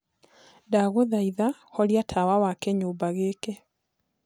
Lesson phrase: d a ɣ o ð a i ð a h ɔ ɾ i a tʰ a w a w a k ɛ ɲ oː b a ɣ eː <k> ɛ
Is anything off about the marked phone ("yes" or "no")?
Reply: no